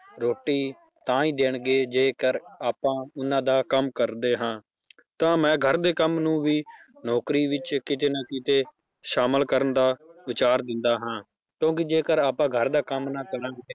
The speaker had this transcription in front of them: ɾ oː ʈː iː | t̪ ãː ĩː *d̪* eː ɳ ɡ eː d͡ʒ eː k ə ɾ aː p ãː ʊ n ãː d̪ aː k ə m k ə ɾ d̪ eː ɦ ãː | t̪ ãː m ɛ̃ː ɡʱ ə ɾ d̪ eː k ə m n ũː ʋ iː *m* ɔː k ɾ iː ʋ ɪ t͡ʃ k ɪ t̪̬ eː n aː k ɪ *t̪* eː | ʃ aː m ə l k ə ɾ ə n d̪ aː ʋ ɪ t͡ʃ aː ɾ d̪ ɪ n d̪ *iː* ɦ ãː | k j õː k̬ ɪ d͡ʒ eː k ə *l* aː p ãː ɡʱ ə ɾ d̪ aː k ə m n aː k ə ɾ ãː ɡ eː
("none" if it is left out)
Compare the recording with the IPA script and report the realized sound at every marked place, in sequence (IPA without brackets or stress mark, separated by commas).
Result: d̪, n, t̪, aː, ɾ